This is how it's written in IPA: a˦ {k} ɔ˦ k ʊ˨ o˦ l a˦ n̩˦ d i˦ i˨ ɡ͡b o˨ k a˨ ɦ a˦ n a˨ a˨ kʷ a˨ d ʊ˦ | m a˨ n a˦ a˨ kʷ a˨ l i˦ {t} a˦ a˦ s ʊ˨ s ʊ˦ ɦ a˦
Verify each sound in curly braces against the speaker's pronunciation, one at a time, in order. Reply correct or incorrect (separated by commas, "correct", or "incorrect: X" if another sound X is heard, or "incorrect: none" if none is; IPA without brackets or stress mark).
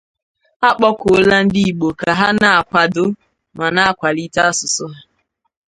incorrect: k͡p, correct